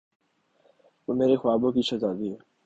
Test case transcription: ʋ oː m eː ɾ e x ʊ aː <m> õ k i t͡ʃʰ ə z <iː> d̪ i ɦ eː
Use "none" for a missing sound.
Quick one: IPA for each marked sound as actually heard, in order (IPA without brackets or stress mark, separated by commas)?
b, aː